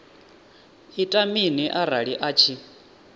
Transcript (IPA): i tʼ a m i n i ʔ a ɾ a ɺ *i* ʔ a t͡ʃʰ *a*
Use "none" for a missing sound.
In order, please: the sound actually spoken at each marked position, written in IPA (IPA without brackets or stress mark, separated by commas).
i, i